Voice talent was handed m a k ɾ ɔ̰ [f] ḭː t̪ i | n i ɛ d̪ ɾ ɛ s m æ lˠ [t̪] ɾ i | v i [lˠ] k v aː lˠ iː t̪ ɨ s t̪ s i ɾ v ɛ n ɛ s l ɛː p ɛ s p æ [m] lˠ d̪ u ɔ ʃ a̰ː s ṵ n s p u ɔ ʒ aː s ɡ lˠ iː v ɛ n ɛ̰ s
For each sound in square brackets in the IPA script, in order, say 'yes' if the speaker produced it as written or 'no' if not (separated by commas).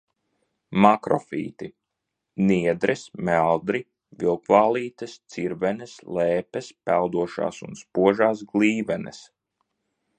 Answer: yes, no, yes, no